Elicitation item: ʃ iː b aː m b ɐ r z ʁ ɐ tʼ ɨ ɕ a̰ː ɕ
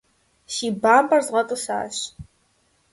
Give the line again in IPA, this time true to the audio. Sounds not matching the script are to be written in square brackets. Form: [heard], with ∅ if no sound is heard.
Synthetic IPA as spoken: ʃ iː b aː m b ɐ r z ʁ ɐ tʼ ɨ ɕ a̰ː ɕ